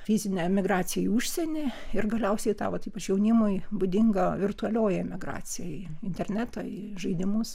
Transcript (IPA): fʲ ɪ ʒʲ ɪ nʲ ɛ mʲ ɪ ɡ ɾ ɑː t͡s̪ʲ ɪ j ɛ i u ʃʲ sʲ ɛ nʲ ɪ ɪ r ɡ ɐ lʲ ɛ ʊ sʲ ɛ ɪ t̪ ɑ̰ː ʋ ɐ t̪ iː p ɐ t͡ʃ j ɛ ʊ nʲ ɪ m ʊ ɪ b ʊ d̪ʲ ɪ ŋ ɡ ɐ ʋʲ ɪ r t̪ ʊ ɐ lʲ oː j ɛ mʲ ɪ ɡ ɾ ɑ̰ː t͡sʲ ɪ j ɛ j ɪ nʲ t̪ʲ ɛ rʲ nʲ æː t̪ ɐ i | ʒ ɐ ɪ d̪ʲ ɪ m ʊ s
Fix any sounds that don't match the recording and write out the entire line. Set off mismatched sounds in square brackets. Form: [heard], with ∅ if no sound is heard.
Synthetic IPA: fʲ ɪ [zʲ] ɪ nʲ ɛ mʲ ɪ ɡ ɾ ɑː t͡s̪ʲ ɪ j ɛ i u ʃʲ sʲ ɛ nʲ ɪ ɪ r ɡ ɐ lʲ ɛ ʊ sʲ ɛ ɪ t̪ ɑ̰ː ʋ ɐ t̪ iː p ɐ t͡ʃ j ɛ ʊ nʲ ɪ m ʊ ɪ b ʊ d̪ʲ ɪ ŋ ɡ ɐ ʋʲ ɪ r t̪ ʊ ɐ lʲ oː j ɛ mʲ ɪ ɡ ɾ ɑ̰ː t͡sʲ ɪ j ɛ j ɪ nʲ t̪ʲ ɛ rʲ nʲ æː t̪ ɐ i | ʒ ɐ ɪ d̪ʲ ɪ m ʊ s

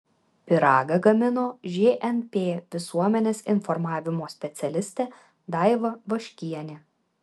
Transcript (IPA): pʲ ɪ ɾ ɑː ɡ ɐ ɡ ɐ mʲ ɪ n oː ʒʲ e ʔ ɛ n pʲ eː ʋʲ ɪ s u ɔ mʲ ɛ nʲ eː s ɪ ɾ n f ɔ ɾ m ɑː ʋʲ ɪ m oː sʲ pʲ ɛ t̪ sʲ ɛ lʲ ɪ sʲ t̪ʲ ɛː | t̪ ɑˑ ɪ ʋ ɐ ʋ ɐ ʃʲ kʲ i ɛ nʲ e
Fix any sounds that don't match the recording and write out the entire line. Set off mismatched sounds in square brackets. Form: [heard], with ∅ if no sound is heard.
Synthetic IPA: pʲ ɪ ɾ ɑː ɡ ɐ ɡ ɐ mʲ ɪ n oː ʒʲ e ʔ ɛ n pʲ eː ʋʲ ɪ s u ɔ mʲ ɛ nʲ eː s ɪ [∅] n f ɔ ɾ m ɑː ʋʲ ɪ m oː sʲ pʲ ɛ t̪ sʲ ɛ lʲ ɪ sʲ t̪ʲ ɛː | [d̪] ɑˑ ɪ ʋ ɐ ʋ ɐ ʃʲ kʲ i ɛ nʲ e

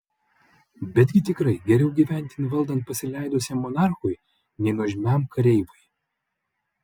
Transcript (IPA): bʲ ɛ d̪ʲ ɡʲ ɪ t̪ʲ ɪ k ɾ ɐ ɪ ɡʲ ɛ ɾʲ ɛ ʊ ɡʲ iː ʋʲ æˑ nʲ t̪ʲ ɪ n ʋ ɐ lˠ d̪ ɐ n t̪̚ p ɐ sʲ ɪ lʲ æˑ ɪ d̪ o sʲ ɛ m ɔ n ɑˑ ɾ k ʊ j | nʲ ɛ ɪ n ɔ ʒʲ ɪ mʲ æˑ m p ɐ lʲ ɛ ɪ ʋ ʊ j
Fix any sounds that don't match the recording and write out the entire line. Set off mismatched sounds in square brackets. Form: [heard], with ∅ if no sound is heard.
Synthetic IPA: bʲ ɛ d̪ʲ ɡʲ ɪ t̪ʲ ɪ k ɾ ɐ ɪ ɡʲ ɛ ɾʲ ɛ ʊ ɡʲ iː ʋʲ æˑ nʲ t̪ʲ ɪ n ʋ ɐ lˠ d̪ ɐ n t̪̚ p ɐ sʲ ɪ lʲ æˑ ɪ d̪ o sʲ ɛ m ɔ n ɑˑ ɾ [x] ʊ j | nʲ ɛ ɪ n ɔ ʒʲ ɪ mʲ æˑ m [k] ɐ [ɾʲ] ɛ ɪ ʋ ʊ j

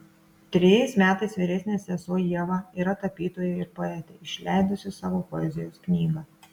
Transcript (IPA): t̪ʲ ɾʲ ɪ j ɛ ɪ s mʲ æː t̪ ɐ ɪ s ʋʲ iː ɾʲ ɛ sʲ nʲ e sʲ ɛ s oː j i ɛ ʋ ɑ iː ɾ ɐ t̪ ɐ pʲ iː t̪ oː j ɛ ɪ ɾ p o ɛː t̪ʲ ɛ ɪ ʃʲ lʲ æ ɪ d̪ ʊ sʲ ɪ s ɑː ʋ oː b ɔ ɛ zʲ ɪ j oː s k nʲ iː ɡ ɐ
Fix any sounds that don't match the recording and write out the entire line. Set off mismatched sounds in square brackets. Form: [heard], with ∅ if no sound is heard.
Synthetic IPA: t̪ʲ ɾʲ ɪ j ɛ ɪ s mʲ æː t̪ ɐ ɪ s ʋʲ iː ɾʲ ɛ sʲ nʲ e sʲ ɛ s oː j i ɛ ʋ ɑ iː ɾ ɐ t̪ ɐ pʲ iː t̪ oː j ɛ ɪ ɾ p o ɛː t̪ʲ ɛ ɪ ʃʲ lʲ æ ɪ d̪ ʊ sʲ ɪ s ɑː ʋ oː [p] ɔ ɛ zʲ ɪ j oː s k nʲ iː ɡ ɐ

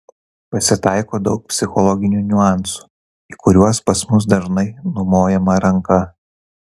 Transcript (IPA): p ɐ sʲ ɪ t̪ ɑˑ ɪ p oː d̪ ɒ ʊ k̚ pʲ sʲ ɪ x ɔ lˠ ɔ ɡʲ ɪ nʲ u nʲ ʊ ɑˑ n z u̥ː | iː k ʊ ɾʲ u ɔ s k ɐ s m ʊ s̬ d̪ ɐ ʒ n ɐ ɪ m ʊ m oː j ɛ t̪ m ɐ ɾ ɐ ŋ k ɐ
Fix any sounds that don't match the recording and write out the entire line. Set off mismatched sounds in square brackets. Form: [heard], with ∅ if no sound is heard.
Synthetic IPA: p ɐ sʲ ɪ t̪ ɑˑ ɪ [k] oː d̪ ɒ ʊ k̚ pʲ sʲ ɪ x ɔ lˠ ɔ ɡʲ ɪ nʲ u nʲ ʊ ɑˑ n [s] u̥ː | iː k ʊ ɾʲ u ɔ s [p] ɐ s m ʊ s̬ d̪ ɐ ʒ n ɐ ɪ [n] ʊ m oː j ɛ [∅] m ɐ ɾ ɐ ŋ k ɐ

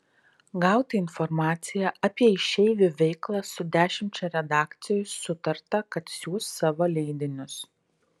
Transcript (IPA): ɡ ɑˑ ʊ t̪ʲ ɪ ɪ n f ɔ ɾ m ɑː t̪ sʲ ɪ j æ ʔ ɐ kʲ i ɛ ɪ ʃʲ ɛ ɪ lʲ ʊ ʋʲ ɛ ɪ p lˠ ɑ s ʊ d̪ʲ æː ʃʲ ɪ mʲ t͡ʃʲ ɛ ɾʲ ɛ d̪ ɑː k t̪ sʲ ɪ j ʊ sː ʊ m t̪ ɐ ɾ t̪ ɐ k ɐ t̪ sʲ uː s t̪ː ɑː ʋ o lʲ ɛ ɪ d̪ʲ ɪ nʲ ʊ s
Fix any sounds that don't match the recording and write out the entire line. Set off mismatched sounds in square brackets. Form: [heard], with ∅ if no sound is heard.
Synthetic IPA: ɡ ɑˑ ʊ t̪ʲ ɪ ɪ n f ɔ ɾ m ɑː t̪ sʲ ɪ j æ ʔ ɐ [pʲ] i ɛ ɪ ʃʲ ɛ ɪ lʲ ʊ ʋʲ ɛ ɪ [k] lˠ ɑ s ʊ d̪ʲ æː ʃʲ ɪ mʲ t͡ʃʲ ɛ ɾʲ ɛ d̪ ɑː k t̪ sʲ ɪ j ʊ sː ʊ [∅] t̪ ɐ ɾ t̪ ɐ k ɐ t̪ sʲ uː s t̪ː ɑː ʋ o lʲ ɛ ɪ d̪ʲ ɪ nʲ ʊ s

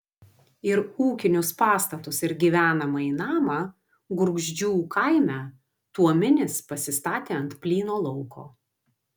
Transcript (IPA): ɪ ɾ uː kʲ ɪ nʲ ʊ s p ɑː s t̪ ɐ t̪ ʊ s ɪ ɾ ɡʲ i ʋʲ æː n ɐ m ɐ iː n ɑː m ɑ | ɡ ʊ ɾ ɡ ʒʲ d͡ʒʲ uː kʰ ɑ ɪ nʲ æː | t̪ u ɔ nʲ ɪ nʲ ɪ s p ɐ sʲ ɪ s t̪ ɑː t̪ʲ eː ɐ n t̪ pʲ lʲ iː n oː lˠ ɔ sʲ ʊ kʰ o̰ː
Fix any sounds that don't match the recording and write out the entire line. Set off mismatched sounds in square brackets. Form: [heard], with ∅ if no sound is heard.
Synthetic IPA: ɪ ɾ uː kʲ ɪ nʲ ʊ s p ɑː s t̪ ɐ t̪ ʊ s ɪ ɾ ɡʲ i ʋʲ æː n ɐ m ɐ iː n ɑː m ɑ | ɡ ʊ ɾ ɡ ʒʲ d͡ʒʲ uː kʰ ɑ ɪ [mʲ] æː | t̪ u ɔ [mʲ] ɪ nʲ ɪ s p ɐ sʲ ɪ s t̪ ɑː t̪ʲ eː ɐ n t̪ pʲ lʲ iː n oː lˠ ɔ [∅] ʊ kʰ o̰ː

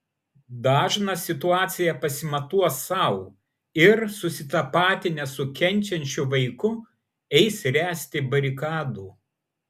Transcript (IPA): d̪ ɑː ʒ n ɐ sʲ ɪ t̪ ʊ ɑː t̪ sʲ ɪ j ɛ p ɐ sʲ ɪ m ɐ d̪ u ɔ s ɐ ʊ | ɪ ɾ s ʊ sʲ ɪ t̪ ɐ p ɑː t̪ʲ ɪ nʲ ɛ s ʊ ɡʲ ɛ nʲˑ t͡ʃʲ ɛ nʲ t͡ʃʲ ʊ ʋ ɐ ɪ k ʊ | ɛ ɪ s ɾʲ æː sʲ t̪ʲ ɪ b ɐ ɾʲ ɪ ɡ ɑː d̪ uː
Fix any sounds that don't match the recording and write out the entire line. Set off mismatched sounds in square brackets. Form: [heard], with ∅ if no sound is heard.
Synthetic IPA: d̪ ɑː ʒ n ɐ sʲ ɪ t̪ ʊ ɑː t̪ sʲ ɪ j ɛ p ɐ sʲ ɪ m ɐ [t̪] u ɔ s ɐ ʊ | ɪ ɾ s ʊ sʲ ɪ t̪ ɐ p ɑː t̪ʲ ɪ nʲ ɛ s ʊ [kʲ] ɛ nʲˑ t͡ʃʲ ɛ nʲ t͡ʃʲ ʊ ʋ ɐ ɪ k ʊ | ɛ ɪ s ɾʲ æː sʲ t̪ʲ ɪ b ɐ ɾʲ ɪ [k] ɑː d̪ uː

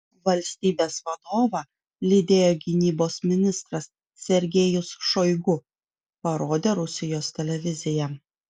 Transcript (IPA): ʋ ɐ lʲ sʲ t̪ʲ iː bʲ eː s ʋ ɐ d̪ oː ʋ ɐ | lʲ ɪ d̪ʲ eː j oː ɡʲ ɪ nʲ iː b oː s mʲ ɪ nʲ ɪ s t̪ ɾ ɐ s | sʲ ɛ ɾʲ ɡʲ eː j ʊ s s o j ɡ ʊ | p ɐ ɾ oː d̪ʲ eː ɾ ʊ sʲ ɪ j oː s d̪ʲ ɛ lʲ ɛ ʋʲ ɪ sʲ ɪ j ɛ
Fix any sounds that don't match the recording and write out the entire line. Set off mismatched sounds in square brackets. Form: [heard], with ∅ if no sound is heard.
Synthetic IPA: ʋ ɐ lʲ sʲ t̪ʲ iː bʲ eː s ʋ ɐ d̪ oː ʋ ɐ | lʲ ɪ d̪ʲ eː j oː ɡʲ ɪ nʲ iː b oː s mʲ ɪ nʲ ɪ s t̪ ɾ ɐ s | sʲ ɛ ɾʲ ɡʲ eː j ʊ s [ʃ] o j ɡ ʊ | p ɐ ɾ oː d̪ʲ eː ɾ ʊ sʲ ɪ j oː s [t̪ʲ] ɛ lʲ ɛ ʋʲ ɪ [zʲ] ɪ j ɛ

